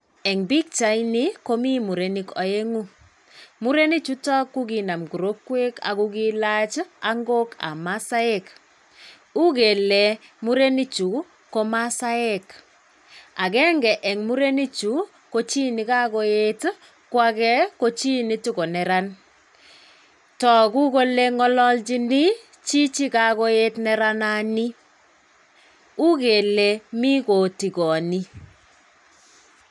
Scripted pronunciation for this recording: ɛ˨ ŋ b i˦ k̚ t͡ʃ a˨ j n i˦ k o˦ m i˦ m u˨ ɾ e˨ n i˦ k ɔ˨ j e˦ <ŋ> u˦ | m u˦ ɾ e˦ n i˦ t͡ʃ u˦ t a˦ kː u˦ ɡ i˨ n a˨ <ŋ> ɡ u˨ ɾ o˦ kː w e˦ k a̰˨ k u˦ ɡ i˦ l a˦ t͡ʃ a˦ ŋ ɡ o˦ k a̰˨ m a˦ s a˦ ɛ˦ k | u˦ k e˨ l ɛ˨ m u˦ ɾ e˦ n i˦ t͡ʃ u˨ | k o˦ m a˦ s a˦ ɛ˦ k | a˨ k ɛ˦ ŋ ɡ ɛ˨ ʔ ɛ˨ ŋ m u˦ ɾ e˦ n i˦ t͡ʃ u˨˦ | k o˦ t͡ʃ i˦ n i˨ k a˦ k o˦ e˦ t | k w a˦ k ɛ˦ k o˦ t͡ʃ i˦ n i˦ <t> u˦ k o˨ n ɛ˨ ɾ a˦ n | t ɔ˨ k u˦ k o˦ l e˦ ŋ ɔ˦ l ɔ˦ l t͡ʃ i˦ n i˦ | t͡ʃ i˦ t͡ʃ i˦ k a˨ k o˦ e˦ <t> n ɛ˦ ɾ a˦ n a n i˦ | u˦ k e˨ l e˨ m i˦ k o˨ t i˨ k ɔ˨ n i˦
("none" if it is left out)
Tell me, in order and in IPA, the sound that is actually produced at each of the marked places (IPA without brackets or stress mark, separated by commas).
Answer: ŋ, m, t, t